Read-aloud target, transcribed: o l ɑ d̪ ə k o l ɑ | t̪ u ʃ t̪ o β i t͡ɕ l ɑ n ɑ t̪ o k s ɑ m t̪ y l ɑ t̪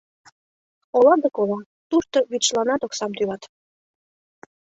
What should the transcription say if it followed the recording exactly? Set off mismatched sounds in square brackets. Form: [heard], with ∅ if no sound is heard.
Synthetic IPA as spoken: o l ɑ d̪ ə k o l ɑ | t̪ u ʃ t̪ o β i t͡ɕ l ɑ n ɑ t̪ o k s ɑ m t̪ y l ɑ t̪